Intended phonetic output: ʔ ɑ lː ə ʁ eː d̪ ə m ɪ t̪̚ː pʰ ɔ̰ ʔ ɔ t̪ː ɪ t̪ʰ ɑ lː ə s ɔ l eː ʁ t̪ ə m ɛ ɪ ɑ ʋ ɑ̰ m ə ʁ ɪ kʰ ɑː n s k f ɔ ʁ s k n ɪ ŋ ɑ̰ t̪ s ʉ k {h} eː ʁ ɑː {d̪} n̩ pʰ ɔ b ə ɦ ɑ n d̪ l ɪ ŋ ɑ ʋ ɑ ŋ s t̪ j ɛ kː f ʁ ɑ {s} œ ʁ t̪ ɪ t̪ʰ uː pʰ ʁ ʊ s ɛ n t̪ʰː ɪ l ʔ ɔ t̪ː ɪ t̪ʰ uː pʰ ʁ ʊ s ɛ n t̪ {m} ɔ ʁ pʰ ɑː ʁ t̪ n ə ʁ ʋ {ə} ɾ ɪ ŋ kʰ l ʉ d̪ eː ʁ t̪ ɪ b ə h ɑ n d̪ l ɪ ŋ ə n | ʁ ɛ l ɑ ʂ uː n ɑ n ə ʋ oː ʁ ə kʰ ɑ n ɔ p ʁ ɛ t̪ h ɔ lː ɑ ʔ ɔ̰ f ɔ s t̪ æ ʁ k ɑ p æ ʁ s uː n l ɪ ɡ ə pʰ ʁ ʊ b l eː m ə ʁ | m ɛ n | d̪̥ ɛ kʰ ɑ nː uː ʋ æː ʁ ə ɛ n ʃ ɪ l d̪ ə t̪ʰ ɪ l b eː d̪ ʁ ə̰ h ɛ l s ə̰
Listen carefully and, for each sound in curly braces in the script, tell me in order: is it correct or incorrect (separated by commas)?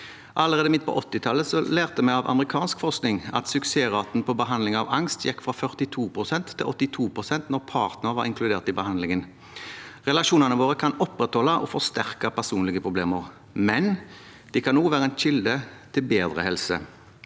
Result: incorrect, incorrect, incorrect, incorrect, incorrect